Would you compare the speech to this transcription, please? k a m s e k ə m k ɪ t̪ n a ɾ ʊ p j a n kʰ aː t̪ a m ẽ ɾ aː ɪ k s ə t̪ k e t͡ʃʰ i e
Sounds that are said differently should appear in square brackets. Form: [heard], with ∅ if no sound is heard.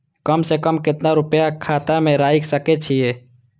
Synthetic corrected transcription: k [ə] m s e k ə m k ɪ t̪ n a ɾ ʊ p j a [∅] kʰ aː t̪ a m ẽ ɾ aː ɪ k s ə [∅] k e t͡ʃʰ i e